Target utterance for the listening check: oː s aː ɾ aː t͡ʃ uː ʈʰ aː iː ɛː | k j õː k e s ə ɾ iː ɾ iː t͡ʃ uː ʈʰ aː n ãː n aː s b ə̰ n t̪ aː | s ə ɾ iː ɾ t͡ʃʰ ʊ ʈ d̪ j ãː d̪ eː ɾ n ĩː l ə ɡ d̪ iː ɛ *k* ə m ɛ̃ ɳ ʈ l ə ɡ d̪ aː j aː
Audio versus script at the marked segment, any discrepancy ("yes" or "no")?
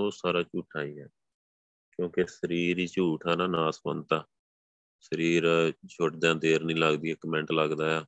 no